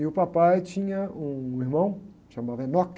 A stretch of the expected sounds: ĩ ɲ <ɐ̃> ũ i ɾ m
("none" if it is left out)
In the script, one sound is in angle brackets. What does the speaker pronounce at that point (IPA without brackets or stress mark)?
ɐ